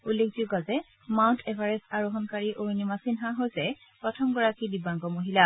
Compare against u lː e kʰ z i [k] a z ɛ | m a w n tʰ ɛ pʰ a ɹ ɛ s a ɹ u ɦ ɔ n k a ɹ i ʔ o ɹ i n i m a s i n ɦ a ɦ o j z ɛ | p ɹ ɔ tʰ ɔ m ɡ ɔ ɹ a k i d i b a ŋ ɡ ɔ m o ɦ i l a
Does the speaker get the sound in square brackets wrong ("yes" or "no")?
yes